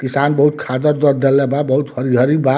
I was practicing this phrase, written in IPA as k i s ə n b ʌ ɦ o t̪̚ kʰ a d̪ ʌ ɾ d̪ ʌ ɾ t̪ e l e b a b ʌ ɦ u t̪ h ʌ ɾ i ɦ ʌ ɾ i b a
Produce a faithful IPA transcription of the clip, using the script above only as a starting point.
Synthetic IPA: k i s a n b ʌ ɦ u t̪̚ kʰ a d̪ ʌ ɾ d̪ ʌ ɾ d̪ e l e b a b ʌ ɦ u t̪ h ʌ ɾ i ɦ ʌ ɾ i b a